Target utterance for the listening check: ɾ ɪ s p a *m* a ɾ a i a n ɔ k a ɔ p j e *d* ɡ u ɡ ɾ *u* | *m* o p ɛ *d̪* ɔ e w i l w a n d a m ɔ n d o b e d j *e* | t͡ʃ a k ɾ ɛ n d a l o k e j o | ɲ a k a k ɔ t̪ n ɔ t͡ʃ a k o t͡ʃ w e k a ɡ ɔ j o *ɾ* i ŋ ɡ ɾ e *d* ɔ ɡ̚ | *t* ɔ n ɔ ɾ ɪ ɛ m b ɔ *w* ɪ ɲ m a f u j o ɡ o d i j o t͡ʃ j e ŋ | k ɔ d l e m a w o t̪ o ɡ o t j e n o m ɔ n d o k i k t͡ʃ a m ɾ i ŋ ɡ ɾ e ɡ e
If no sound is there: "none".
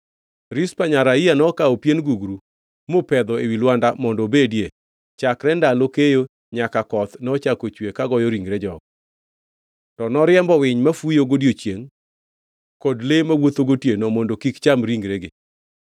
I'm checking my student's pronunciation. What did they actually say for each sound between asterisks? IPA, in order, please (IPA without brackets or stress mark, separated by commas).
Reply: ɲ, n, u, m, d̪, e, ɾ, d͡ʒ, t, w